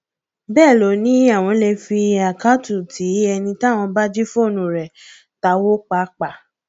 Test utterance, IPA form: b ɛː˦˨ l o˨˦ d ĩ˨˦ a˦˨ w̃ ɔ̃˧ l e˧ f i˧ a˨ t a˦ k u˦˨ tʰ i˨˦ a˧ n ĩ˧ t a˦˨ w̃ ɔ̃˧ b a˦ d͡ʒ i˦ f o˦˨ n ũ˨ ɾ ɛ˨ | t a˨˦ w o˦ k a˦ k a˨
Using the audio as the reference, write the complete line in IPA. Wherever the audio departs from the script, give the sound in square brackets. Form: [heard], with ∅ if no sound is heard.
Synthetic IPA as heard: b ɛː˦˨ l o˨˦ [n] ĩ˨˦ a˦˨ w̃ ɔ̃˧ l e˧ f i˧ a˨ [k] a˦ [t] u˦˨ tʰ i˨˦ [ɛ˧] n ĩ˧ t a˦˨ w̃ ɔ̃˧ b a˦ d͡ʒ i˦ f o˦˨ n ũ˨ ɾ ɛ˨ | t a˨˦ w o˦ [k͡p] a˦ [k͡p] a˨